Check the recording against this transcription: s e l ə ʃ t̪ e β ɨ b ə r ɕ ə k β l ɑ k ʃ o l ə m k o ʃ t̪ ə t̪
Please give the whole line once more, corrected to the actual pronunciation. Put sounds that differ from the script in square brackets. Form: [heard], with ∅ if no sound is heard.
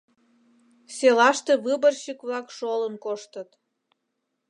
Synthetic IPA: s e l [ɑ] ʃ t̪ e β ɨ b ə r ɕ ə k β l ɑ k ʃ o l ə [n] k o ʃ t̪ ə t̪